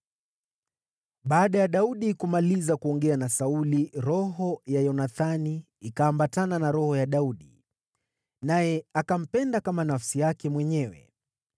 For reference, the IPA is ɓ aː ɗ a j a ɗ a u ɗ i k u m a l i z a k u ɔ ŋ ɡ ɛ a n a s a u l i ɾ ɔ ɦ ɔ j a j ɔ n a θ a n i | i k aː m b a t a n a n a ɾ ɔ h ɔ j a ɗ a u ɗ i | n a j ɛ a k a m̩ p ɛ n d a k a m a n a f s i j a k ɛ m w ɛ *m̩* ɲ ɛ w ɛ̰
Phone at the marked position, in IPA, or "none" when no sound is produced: none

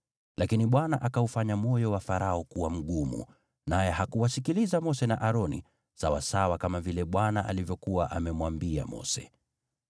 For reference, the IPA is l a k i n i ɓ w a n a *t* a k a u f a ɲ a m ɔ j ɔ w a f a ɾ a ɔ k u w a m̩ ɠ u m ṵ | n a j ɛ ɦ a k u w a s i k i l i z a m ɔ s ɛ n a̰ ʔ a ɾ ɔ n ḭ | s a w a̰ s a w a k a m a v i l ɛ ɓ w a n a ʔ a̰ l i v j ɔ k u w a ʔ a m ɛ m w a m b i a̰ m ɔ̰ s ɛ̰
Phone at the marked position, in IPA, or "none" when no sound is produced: ʔ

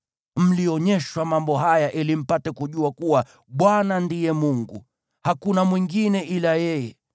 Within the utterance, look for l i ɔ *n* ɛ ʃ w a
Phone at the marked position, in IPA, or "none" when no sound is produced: ɲ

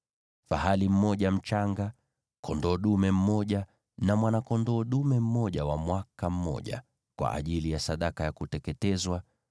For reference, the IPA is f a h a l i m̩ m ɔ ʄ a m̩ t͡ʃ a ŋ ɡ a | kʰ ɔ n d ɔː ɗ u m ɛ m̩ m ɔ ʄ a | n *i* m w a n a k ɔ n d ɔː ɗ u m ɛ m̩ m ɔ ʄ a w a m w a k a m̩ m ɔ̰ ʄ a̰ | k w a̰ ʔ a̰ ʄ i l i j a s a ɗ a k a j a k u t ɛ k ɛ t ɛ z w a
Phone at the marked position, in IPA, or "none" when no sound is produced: a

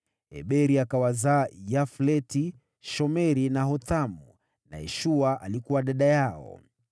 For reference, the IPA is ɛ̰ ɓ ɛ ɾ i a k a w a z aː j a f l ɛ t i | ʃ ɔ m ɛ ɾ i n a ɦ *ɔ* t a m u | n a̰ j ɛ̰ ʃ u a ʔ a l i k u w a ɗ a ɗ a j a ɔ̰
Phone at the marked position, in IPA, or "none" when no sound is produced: ɔ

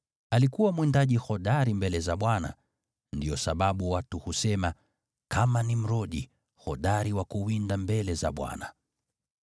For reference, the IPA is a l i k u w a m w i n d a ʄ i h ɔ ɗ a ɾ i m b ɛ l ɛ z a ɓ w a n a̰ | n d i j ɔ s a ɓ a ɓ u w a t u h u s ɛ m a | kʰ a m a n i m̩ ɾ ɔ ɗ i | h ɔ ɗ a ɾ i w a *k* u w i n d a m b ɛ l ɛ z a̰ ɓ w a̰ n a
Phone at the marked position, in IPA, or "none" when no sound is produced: k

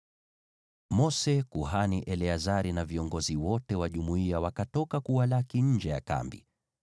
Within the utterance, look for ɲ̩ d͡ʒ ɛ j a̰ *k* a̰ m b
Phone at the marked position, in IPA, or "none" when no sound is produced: k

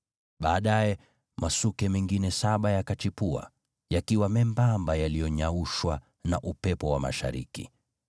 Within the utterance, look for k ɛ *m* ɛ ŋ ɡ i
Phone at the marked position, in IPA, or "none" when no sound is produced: m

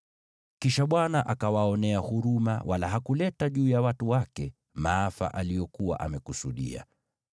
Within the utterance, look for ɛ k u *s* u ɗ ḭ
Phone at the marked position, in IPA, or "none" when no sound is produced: s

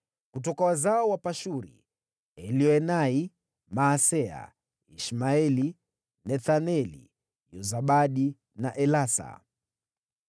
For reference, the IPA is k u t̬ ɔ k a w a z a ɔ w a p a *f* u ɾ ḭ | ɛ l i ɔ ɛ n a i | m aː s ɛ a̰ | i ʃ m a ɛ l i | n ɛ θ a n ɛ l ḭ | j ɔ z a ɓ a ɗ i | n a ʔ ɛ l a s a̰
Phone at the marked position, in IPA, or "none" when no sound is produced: ʃ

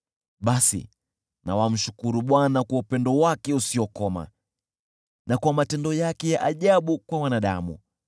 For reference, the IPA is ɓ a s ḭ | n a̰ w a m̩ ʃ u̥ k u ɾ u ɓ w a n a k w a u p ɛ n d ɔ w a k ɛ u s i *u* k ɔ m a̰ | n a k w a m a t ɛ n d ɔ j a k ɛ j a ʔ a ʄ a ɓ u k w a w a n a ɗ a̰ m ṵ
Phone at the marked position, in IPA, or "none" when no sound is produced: ɔ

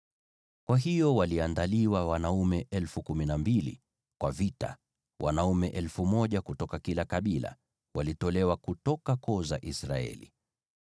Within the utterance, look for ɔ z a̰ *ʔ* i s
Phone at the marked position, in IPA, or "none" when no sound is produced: ʔ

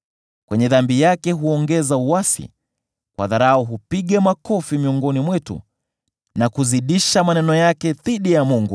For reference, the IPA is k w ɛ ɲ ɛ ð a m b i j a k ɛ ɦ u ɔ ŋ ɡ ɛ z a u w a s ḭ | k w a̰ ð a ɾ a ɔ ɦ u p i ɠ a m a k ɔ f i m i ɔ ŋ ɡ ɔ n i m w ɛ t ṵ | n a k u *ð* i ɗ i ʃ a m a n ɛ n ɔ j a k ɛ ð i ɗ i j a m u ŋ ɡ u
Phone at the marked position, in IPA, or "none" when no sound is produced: z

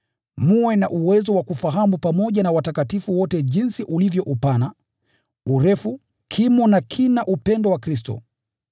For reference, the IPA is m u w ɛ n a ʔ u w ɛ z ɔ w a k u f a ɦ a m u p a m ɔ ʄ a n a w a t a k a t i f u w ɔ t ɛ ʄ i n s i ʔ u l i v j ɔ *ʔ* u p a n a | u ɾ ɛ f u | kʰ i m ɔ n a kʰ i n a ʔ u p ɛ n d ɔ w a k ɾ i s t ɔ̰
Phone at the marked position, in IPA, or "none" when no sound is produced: ʔ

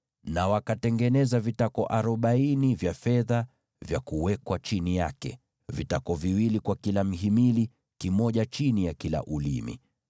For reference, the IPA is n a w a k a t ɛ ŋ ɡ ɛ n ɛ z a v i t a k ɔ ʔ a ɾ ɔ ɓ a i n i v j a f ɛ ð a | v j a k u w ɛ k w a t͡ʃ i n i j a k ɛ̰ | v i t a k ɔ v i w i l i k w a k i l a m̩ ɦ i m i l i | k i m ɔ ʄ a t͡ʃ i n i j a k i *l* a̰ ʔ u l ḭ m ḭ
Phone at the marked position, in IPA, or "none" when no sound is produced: l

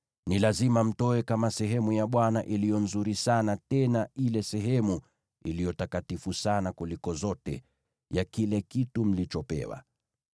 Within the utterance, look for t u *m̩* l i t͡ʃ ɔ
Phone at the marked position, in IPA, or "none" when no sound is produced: m̩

